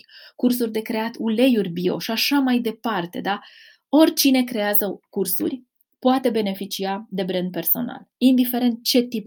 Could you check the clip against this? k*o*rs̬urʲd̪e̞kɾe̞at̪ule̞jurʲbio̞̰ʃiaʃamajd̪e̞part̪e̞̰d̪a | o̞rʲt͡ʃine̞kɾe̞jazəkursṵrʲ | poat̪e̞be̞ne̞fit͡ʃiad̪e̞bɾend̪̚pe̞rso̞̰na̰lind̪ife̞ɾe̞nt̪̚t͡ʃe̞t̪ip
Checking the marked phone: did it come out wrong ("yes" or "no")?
yes